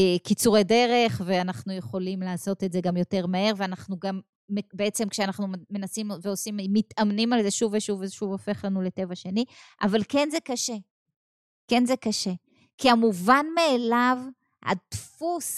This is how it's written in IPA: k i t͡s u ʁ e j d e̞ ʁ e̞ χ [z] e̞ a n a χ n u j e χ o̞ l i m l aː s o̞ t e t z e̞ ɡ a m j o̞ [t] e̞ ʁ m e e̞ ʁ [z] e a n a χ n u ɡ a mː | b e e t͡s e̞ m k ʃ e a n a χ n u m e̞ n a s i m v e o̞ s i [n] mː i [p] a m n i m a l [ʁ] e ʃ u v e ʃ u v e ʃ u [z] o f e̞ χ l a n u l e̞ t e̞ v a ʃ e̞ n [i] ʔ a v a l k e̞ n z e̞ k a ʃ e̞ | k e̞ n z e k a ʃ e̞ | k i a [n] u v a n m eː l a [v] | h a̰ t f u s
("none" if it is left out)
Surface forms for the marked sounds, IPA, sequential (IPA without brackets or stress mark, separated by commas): v, t, v, m, t, z, v, i, m, v